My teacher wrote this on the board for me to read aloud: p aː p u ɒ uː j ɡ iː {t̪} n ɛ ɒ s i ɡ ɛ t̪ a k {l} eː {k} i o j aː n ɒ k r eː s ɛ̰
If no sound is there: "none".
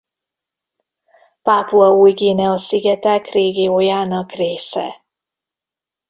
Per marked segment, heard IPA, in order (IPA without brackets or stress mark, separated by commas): none, r, ɡ